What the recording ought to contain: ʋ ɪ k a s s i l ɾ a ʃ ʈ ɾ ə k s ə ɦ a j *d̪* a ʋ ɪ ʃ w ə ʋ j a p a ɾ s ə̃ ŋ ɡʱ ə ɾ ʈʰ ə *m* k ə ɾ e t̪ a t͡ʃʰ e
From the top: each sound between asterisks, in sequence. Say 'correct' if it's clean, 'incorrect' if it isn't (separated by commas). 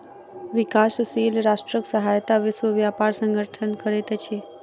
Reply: incorrect, incorrect